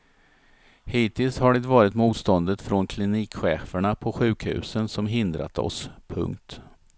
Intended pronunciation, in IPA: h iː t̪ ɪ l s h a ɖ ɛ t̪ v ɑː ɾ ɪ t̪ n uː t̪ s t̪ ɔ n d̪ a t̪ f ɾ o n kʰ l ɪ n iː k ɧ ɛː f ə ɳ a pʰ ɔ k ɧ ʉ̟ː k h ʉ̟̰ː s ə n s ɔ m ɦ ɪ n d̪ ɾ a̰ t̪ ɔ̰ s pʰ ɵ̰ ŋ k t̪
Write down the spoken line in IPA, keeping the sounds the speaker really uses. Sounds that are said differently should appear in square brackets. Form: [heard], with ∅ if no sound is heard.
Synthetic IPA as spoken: h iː t̪ ɪ l s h a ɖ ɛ t̪ v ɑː ɾ ɪ t̪ [m] uː t̪ s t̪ ɔ n d̪ [ə] t̪ f ɾ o n kʰ l ɪ n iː k ɧ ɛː f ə ɳ a pʰ ɔ [∅] ɧ ʉ̟ː k h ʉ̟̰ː s ə n s ɔ m ɦ ɪ n d̪ ɾ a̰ t̪ ɔ̰ s pʰ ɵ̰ ŋ k t̪